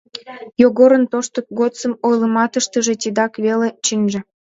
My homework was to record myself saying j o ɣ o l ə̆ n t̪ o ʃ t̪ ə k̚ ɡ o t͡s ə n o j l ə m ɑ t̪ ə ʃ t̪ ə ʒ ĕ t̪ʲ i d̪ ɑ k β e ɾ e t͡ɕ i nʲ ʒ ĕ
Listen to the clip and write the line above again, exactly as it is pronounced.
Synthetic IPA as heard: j o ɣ o ɾ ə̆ n t̪ o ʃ t̪ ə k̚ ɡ o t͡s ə m o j l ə m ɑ t̪ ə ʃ t̪ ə ʒ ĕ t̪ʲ i d̪ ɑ k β e l e t͡ɕ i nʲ ʒ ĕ